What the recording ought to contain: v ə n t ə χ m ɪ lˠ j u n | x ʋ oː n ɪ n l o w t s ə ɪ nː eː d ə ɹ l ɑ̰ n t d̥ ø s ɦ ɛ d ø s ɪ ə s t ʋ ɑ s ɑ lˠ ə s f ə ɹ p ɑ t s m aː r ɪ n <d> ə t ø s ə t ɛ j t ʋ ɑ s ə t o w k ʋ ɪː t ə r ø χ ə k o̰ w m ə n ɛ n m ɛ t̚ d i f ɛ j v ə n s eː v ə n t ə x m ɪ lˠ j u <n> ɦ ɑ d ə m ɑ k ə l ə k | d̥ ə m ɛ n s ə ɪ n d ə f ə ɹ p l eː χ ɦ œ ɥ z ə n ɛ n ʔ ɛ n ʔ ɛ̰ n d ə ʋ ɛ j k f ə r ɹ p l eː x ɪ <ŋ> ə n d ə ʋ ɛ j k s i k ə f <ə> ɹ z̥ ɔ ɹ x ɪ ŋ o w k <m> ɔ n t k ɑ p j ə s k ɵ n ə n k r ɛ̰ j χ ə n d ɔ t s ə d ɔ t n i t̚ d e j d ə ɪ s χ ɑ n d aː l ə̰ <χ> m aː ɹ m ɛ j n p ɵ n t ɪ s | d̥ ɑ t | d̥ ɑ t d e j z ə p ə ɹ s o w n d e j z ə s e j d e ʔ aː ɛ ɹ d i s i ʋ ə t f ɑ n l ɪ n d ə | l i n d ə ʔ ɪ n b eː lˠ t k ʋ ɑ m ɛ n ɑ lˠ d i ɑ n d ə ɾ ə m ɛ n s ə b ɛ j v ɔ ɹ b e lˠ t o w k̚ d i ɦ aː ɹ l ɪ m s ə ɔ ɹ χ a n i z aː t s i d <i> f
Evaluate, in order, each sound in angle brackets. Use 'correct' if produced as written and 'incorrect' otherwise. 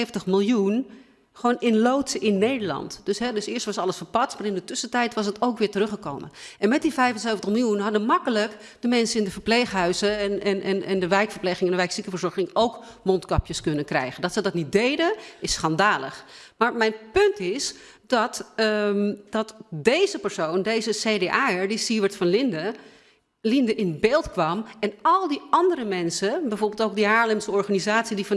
correct, correct, correct, correct, correct, correct, correct

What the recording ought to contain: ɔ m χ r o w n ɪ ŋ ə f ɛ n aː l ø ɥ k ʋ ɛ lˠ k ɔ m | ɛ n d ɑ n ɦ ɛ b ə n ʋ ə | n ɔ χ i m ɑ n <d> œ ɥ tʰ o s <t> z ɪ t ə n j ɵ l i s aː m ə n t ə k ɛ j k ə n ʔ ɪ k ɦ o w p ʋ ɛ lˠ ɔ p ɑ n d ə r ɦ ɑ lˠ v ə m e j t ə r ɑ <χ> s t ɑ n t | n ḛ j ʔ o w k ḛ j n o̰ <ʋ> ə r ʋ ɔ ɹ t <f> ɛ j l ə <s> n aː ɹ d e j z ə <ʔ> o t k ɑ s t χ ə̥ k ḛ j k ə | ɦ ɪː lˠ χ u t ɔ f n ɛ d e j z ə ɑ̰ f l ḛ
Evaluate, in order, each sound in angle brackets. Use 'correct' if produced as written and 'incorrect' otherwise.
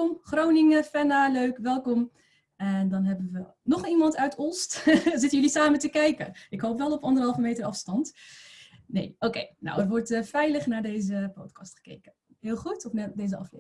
incorrect, correct, incorrect, incorrect, correct, incorrect, incorrect

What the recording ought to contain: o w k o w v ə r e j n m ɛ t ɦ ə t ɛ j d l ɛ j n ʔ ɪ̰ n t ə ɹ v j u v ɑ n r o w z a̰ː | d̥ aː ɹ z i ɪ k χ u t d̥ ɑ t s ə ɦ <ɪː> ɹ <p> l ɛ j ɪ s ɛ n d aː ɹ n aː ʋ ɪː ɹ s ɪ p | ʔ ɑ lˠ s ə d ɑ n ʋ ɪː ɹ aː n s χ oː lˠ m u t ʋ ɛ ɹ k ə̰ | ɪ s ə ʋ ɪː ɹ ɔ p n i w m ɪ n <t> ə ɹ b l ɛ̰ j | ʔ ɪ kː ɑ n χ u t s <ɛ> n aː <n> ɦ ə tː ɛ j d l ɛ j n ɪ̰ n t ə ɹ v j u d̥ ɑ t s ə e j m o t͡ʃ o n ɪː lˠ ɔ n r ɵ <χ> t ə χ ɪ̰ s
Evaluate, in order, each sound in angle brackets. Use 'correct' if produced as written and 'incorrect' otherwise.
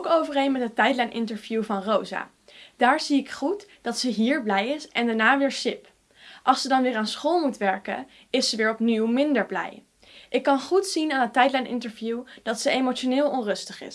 incorrect, incorrect, incorrect, incorrect, correct, incorrect

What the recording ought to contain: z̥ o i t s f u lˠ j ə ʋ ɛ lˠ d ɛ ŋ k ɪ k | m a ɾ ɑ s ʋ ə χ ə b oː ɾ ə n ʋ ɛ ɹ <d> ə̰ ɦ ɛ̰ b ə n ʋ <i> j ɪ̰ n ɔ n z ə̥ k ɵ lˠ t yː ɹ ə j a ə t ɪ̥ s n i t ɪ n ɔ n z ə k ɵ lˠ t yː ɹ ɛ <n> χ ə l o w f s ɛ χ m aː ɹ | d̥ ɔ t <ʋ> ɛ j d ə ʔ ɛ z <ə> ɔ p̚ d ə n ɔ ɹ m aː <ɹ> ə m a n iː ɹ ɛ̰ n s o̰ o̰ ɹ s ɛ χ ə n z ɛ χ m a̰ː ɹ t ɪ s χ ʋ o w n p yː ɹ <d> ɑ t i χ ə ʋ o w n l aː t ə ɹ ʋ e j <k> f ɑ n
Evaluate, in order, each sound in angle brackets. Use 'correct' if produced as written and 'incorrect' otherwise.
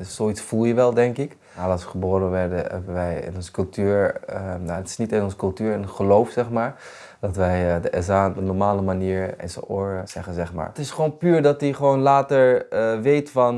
correct, incorrect, correct, correct, incorrect, incorrect, correct, incorrect

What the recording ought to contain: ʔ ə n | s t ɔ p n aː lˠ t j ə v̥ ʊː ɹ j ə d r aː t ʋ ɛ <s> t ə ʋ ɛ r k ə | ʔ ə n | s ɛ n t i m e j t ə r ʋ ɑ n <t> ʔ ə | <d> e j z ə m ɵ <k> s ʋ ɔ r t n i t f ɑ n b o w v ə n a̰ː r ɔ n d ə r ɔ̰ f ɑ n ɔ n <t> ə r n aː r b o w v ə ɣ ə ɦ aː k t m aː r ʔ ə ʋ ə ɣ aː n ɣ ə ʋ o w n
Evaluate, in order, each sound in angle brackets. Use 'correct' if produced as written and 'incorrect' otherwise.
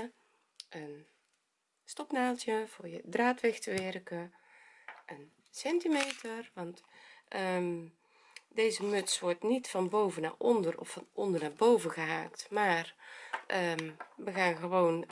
incorrect, correct, correct, incorrect, incorrect

